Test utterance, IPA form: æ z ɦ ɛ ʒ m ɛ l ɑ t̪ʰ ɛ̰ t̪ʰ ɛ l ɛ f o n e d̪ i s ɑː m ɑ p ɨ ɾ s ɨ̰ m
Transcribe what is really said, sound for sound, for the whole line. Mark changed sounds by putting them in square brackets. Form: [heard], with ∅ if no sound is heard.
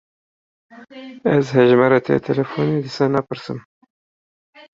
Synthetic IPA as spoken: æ z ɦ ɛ ʒ m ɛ [ɾ] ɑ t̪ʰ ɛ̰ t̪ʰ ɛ l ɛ f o n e d̪ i s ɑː [n] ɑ p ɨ ɾ s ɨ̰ m